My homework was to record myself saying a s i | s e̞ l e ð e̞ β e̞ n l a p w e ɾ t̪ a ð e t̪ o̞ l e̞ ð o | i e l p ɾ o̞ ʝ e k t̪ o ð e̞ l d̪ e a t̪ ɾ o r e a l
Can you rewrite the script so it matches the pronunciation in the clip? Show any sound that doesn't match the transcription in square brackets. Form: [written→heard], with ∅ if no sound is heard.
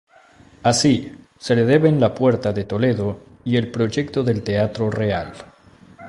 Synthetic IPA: a s i | s e̞ l e ð e̞ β e̞ n l a p w e ɾ t̪ a ð e t̪ o̞ l e̞ ð o | i e l p ɾ o̞ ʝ e k t̪ o ð e̞ l [d̪→t̪] e a t̪ ɾ o r e a l